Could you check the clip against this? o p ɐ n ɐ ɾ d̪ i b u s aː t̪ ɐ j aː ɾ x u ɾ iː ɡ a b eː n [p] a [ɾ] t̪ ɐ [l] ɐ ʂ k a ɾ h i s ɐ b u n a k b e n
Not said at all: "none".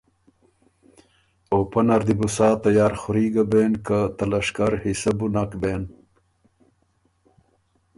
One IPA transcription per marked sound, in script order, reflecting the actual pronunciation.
k, none, l

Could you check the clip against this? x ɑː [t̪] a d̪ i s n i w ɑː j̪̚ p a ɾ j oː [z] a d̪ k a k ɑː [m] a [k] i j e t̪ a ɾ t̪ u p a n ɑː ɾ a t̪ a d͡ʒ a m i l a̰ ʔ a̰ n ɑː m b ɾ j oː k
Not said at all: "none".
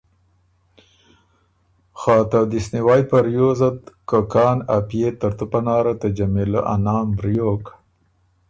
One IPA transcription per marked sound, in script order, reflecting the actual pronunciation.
t̪, z, n, p

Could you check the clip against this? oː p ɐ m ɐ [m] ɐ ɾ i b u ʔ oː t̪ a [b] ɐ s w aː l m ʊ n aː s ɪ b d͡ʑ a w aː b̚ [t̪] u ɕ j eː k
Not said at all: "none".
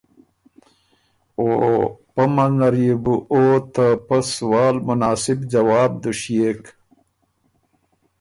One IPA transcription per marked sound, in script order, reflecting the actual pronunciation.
n, p, d̪

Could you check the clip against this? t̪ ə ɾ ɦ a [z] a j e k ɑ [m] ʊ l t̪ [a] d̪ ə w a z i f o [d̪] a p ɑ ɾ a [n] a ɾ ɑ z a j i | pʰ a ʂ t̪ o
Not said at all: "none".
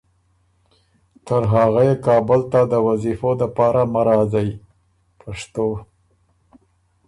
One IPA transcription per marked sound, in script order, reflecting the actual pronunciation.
ɣ, b, a, d̪, m

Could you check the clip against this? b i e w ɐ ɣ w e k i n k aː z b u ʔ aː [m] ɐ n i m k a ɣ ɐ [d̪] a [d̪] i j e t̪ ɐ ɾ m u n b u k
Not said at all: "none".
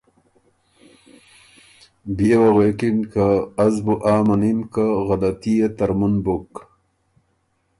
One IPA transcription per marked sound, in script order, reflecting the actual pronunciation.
m, d̪, t̪

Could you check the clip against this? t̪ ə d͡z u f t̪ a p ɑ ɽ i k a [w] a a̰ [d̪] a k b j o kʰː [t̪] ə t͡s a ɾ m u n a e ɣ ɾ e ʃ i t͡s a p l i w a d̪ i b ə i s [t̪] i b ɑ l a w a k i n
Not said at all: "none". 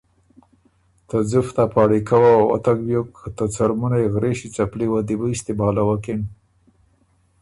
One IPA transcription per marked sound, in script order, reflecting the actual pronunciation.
w, t̪, t̪, t̪

